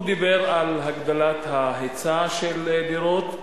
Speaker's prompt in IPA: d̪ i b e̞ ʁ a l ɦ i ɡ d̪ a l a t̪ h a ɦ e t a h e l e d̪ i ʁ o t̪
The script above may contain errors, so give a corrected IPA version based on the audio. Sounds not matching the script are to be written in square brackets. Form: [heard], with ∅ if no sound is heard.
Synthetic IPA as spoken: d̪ i b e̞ ʁ a l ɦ [a] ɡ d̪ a l a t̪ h a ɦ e [t͡s] a [ʃ] e l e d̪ i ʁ o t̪